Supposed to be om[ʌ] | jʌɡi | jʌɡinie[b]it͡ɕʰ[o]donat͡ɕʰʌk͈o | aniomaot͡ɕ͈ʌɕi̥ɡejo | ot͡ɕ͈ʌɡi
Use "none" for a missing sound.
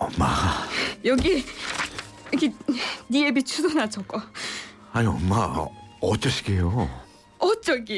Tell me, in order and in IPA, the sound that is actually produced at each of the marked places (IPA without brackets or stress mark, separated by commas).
a, b, u